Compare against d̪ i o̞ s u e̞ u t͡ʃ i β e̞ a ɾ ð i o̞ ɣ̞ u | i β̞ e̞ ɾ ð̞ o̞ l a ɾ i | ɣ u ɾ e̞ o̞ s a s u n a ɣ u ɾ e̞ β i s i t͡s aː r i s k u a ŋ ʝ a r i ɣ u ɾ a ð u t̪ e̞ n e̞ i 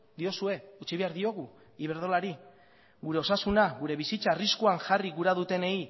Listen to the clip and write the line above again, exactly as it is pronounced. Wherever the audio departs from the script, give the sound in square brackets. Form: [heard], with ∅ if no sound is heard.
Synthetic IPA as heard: d̪ i o̞ s u e̞ u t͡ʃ i β e̞ a ɾ ð i o̞ ɣ̞ u | i β̞ e̞ ɾ ð̞ o̞ l a ɾ i | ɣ u ɾ e̞ o̞ s a s u n a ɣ u ɾ e̞ β i s i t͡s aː r i s k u a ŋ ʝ a r i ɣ u ɾ a ð u t̪ e̞ n e̞ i